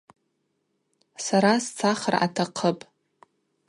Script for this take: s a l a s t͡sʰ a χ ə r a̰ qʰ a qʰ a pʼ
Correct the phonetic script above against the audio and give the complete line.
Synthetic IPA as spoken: s a ɾ a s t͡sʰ a χ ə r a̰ tʰ a qʰ ə pʼ